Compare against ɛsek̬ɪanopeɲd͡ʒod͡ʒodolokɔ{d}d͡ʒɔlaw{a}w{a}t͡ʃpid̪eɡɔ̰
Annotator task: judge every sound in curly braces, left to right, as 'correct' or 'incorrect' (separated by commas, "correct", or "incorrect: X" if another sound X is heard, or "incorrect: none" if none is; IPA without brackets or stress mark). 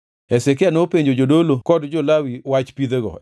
correct, incorrect: i, correct